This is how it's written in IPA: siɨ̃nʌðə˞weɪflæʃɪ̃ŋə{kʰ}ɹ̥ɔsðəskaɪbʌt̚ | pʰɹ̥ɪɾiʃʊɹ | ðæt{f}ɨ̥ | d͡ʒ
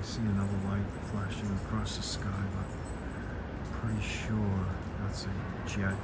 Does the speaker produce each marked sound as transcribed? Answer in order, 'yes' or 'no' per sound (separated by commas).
yes, no